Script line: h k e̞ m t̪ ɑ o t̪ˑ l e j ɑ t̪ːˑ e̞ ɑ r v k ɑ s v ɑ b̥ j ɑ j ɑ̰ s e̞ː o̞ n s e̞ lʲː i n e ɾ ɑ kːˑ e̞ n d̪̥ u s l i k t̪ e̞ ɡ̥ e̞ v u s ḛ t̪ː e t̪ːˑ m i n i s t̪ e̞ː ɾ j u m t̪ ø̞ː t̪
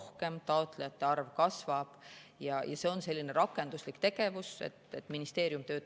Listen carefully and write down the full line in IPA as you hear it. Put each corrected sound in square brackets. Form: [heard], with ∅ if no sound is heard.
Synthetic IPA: h k e̞ m t̪ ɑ o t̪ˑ l e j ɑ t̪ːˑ e̞ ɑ r v k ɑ s v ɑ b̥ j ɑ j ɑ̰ s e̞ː o̞ n s e̞ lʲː i n e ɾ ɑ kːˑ e̞ n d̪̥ u s l i k t̪ e̞ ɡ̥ e̞ v u s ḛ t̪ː e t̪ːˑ m i n i s t̪ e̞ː ɾ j u m t̪ ø̞ː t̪

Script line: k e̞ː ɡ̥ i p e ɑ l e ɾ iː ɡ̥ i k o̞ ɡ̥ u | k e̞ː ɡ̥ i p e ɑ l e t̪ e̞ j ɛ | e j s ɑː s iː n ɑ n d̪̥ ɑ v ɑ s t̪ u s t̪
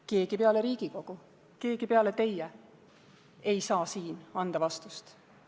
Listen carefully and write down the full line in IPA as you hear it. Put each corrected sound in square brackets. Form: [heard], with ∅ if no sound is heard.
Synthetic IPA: k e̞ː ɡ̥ i p e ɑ l e ɾ iː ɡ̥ i k o̞ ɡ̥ u | k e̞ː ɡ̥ i p e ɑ l e t̪ e̞ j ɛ | e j s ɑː s iː n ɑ n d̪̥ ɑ v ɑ s t̪ u s t̪

